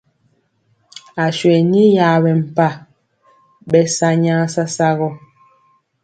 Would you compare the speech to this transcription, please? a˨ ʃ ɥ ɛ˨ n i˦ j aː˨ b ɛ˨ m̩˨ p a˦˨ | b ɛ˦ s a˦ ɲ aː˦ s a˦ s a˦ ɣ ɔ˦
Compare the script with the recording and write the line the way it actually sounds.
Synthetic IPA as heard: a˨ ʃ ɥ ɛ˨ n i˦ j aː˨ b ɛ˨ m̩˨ p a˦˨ | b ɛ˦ s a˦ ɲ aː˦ s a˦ s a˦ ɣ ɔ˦